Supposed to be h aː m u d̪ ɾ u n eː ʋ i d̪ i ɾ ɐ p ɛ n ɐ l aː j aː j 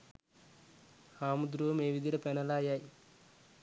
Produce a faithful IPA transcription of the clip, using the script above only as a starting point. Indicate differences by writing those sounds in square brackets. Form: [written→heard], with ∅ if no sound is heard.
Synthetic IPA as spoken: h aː m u d̪ ɾ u [n→m] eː ʋ i d̪ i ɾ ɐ p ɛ n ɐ l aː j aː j